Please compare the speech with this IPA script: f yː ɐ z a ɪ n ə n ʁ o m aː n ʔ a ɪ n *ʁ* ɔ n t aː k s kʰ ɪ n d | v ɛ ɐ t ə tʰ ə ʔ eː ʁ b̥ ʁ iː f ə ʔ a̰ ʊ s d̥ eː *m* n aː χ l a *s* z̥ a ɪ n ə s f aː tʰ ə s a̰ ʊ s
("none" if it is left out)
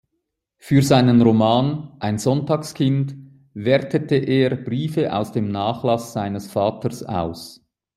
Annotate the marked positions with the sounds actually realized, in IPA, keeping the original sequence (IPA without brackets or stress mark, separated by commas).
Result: z, m, s